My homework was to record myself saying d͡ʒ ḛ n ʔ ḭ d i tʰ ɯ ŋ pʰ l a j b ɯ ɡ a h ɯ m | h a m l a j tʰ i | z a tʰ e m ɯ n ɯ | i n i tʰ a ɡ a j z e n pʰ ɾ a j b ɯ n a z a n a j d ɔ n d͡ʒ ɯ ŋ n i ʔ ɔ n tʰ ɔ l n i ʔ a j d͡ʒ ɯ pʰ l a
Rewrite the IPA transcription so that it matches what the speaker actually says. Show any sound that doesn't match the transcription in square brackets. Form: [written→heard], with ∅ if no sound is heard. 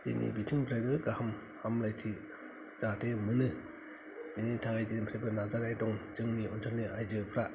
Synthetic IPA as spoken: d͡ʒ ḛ n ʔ ḭ [d→b] i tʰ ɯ ŋ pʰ [l→ɾ] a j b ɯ ɡ a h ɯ m | h a m l a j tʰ i | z a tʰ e m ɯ n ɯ | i n i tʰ a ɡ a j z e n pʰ ɾ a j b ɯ n a z a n a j d ɔ [n→ŋ] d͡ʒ ɯ ŋ n i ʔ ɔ n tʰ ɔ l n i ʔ a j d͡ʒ ɯ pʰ [l→ɾ] a

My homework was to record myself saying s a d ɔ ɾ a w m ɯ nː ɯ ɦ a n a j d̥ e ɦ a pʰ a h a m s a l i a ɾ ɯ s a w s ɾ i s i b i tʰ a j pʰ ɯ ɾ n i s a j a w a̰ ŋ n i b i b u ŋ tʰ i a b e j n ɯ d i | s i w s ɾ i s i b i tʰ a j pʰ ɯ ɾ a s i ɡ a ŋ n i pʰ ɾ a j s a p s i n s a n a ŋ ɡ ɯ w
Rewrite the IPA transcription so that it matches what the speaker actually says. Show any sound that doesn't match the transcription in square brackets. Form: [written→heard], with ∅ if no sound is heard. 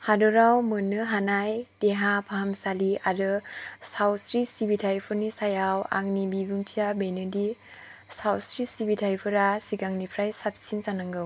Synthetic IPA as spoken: [s→h] a d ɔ ɾ a w m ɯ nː ɯ ɦ a n a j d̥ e ɦ a pʰ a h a m s a l i a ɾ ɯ s a w s ɾ i s i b i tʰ a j pʰ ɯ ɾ n i s a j a w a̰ ŋ n i b i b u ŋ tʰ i a b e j n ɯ d i | s [i→a] w s ɾ i s i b i tʰ a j pʰ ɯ ɾ a s i ɡ a ŋ n i pʰ ɾ a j s a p s i n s a n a ŋ ɡ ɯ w

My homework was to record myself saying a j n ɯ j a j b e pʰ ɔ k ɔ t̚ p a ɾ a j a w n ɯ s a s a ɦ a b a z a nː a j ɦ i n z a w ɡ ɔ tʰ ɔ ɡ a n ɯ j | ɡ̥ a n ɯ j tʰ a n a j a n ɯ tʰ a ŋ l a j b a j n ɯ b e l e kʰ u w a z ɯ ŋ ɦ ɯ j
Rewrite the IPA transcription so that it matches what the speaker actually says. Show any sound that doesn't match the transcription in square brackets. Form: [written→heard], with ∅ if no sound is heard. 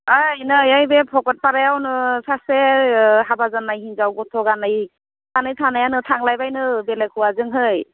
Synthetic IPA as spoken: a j n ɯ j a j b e pʰ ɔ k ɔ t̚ p a ɾ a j a w n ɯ s a s [a→e] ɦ a b a z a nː a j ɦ i n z a w ɡ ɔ tʰ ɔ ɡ a n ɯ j | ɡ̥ a n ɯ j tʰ a n a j a n ɯ tʰ a ŋ l a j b a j n ɯ b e l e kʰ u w a z ɯ ŋ ɦ ɯ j

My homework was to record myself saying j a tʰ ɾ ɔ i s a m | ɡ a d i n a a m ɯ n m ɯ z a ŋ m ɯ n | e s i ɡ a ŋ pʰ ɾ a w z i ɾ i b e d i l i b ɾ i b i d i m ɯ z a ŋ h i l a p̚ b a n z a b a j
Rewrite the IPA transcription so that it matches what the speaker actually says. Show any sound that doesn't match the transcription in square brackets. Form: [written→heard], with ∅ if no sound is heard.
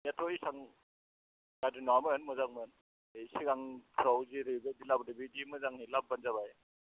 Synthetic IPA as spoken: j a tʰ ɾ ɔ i s a [m→ŋ] | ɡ a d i n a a m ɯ n m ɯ z a ŋ m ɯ n | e s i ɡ a ŋ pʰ ɾ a w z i ɾ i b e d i l [i→a] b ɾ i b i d i m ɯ z a ŋ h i l a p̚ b a n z a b a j

